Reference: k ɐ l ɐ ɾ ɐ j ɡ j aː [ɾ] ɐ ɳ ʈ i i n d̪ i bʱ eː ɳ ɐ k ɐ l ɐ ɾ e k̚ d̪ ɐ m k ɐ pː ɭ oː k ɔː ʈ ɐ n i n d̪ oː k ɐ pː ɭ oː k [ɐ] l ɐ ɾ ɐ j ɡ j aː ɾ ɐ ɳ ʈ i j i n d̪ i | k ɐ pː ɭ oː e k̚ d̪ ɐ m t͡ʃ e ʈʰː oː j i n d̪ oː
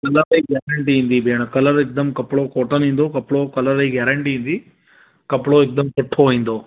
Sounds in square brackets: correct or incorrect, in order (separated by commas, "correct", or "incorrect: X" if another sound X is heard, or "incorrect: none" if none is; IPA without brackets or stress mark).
correct, correct